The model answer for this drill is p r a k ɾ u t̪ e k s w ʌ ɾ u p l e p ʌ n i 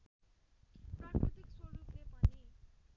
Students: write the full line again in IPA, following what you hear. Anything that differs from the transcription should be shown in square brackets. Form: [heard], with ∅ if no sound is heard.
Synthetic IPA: p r a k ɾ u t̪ [i] k s w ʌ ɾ u p l e p ʌ n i